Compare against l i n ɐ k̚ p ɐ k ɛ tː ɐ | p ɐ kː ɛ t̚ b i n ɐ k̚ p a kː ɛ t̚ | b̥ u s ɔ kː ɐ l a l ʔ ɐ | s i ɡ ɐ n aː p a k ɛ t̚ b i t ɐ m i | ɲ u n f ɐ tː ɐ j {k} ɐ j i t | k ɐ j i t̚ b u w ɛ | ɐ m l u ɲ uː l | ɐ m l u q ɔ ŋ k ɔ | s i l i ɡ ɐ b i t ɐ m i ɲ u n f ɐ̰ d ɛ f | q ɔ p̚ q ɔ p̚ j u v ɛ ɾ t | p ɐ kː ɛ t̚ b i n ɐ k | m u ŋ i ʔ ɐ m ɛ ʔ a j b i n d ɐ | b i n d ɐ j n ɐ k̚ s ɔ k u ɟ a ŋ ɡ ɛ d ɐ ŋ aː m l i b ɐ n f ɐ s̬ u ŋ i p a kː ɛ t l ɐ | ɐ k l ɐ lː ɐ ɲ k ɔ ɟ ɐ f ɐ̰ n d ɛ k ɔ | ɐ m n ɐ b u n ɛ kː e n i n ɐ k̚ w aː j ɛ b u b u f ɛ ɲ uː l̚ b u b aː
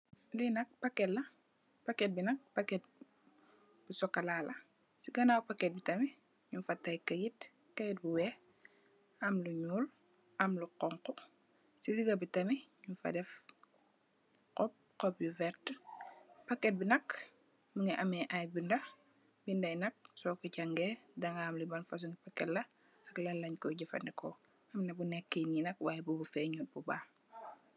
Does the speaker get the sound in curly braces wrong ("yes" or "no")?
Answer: no